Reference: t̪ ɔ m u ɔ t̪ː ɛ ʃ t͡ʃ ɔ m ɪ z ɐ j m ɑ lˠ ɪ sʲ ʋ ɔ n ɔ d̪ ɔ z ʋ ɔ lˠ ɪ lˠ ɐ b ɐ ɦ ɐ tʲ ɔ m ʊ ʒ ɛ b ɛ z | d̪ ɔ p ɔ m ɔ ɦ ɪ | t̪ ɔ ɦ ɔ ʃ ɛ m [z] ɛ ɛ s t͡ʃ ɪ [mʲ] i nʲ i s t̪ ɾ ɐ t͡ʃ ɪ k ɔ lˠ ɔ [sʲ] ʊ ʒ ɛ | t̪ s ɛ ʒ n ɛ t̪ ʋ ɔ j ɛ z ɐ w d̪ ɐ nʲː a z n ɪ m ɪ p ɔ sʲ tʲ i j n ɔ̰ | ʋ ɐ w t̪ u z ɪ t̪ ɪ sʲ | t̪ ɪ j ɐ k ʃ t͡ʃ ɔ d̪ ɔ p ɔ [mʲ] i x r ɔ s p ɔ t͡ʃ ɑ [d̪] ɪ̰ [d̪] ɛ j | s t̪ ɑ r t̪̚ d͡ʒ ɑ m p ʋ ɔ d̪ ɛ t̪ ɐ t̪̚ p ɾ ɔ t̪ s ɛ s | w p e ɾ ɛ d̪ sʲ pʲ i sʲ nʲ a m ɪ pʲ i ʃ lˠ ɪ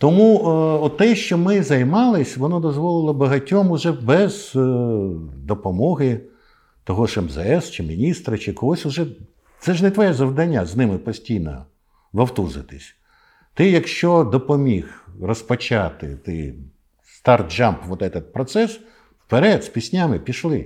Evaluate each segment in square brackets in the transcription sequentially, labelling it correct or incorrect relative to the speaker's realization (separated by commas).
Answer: correct, correct, correct, correct, incorrect, incorrect